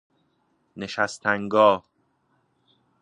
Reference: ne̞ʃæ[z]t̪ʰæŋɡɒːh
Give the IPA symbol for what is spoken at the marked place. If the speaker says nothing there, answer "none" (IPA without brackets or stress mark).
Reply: s